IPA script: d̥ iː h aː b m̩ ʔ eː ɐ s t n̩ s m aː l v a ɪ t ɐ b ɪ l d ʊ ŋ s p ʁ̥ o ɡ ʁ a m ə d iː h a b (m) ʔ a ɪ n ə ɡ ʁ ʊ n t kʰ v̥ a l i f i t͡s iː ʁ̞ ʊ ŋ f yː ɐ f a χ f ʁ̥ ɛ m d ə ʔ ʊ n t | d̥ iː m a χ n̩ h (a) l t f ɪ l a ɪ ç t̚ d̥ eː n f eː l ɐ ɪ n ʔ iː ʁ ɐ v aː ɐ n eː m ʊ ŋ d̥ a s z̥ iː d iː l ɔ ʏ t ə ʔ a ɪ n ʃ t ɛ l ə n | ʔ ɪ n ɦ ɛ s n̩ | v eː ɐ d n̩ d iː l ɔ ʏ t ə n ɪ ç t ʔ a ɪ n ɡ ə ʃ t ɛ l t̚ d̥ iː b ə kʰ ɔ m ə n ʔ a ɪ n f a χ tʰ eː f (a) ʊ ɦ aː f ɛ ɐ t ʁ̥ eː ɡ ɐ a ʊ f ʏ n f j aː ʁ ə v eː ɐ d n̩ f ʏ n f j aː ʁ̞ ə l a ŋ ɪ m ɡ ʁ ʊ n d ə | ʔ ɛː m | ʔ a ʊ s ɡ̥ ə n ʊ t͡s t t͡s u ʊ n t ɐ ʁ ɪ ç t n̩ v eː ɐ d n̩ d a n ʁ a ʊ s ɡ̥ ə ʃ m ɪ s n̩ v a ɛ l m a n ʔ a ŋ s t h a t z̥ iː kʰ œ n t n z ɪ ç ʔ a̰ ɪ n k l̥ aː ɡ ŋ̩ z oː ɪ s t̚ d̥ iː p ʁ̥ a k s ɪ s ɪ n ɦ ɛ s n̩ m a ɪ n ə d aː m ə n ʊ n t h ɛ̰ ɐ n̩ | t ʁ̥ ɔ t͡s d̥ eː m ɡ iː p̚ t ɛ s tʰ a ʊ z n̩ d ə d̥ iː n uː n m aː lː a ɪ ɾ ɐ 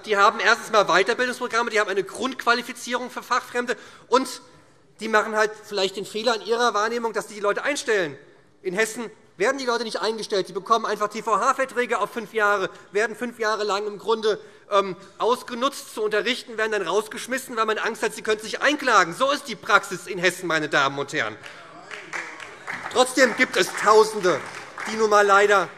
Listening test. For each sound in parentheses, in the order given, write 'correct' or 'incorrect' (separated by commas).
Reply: correct, correct, correct